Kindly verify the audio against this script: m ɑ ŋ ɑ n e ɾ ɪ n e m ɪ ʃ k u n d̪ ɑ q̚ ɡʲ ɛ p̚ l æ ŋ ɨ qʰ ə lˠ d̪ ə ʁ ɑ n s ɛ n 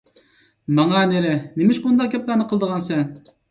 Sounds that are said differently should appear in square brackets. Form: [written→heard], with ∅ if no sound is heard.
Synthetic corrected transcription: m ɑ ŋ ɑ n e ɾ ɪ n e m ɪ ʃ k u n d̪ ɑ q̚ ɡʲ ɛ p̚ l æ [ŋ→n] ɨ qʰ ə lˠ d̪ ə ʁ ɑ n s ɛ n